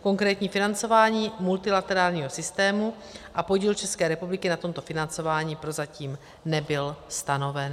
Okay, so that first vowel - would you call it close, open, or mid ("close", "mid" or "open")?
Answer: mid